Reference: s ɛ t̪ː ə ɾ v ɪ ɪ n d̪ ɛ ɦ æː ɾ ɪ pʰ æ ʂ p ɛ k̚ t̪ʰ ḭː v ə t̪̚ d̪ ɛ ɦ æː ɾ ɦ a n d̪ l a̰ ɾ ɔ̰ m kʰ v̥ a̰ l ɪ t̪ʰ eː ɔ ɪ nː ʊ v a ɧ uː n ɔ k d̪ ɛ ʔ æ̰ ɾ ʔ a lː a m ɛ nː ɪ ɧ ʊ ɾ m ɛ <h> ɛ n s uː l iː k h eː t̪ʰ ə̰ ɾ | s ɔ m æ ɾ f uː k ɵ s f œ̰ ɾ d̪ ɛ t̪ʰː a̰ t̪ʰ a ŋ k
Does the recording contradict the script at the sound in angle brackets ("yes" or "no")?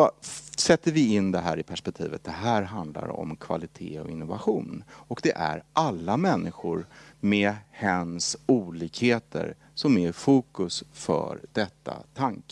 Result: no